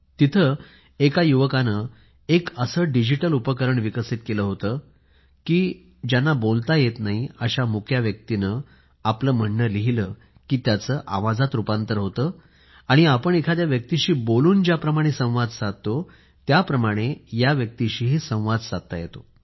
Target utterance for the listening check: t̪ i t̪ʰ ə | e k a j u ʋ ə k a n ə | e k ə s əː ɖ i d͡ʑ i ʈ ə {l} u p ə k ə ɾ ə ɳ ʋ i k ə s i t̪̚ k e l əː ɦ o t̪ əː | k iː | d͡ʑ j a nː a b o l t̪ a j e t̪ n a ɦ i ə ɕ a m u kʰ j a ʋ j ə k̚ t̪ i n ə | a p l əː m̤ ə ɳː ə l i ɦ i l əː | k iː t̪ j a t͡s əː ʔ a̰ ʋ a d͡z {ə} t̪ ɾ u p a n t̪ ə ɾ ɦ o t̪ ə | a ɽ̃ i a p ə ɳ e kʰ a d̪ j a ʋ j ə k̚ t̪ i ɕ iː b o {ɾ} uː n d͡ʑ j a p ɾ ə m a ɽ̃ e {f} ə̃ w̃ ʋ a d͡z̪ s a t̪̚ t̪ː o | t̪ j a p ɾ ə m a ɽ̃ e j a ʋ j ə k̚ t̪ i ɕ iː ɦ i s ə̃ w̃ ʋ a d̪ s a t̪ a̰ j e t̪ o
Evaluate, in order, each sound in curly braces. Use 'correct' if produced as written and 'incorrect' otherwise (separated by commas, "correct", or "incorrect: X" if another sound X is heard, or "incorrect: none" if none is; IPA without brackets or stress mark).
correct, incorrect: a, incorrect: l, incorrect: s